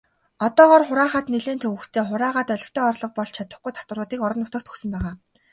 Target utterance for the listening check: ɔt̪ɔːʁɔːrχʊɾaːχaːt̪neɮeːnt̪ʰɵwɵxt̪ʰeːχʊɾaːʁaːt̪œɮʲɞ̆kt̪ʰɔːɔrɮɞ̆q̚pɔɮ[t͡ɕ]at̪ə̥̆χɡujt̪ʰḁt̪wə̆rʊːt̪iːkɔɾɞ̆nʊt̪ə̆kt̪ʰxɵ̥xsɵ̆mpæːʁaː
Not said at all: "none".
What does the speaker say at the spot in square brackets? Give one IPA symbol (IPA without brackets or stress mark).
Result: t͡ɕʰ